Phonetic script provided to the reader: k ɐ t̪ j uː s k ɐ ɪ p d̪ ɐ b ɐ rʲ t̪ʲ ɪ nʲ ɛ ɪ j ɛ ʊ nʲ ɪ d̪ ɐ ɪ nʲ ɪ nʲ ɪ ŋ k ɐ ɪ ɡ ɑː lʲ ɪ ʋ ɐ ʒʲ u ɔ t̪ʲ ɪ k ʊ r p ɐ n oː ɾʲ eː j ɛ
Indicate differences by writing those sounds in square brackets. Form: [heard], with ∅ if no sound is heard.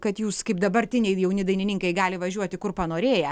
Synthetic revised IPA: k ɐ t̪ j uː s k ɐ ɪ p d̪ ɐ b ɐ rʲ t̪ʲ ɪ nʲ ɛ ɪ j ɛ ʊ nʲ ɪ d̪ ɐ ɪ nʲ ɪ nʲ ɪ ŋ k ɐ ɪ ɡ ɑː lʲ ɪ ʋ ɐ ʒʲ u ɔ t̪ʲ ɪ k ʊ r p ɐ n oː ɾʲ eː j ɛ